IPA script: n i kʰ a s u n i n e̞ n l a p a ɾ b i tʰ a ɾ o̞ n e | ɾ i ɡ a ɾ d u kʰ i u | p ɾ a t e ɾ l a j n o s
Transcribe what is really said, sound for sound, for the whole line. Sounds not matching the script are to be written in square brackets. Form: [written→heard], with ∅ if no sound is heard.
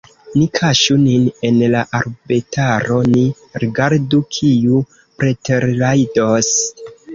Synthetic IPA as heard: n i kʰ a [s→ʃ] u n i n e̞ n l a [p→ʔ] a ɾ b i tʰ a ɾ o̞ n [e→i] | ɾ i ɡ a ɾ d u kʰ i u | p ɾ [a→e] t e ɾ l a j [n→d] o s